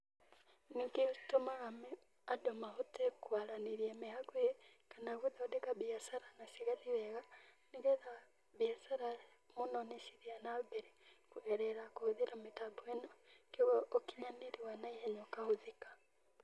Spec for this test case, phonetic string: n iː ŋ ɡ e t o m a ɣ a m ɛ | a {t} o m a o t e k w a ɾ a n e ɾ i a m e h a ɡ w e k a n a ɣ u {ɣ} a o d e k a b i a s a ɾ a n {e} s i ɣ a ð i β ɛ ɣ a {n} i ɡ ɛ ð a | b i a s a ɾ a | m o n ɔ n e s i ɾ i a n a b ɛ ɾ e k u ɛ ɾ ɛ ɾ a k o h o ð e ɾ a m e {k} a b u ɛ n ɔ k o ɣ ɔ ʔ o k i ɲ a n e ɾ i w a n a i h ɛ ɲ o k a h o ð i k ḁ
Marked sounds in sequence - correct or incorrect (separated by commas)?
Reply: incorrect, incorrect, incorrect, correct, incorrect